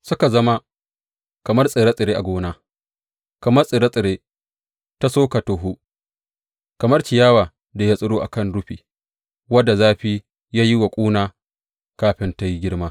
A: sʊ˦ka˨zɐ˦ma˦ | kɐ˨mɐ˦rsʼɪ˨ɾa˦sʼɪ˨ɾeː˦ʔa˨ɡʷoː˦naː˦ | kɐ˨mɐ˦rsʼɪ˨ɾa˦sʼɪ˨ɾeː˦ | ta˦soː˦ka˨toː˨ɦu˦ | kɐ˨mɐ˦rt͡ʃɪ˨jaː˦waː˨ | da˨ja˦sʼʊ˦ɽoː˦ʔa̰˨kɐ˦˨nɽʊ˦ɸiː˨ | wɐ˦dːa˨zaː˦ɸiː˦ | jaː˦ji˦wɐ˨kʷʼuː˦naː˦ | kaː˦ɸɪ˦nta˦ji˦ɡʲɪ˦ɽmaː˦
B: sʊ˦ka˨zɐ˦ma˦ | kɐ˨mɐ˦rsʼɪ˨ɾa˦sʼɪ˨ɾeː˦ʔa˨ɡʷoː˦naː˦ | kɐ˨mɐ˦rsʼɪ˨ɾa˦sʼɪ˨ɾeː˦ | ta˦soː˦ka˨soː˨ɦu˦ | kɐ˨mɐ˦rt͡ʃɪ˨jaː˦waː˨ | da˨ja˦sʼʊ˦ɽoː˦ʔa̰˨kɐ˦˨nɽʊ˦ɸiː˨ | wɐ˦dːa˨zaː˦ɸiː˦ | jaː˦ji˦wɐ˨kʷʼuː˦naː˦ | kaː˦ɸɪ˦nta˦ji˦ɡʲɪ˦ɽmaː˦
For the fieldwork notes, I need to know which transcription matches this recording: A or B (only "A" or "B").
A